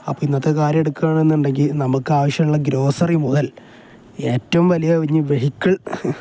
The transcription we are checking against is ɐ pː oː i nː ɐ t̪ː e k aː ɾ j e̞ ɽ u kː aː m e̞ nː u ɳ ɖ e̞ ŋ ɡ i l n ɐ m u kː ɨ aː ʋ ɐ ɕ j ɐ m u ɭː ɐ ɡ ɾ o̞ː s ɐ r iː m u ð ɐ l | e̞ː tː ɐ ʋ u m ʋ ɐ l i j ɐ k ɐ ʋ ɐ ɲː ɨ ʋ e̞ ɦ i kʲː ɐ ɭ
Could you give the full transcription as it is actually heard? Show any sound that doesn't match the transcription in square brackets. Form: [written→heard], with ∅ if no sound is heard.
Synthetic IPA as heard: ɐ pː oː i nː ɐ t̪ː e k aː ɾ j e̞ ɽ u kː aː [m→ɳ] e̞ nː u ɳ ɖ e̞ ŋ ɡ i l n ɐ m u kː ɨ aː ʋ ɐ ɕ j ɐ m u ɭː ɐ ɡ ɾ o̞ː s ɐ r [iː→i] m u ð ɐ l | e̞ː tː ɐ ʋ u m ʋ ɐ l i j ɐ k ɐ ʋ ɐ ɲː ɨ ʋ e̞ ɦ i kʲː ɐ ɭ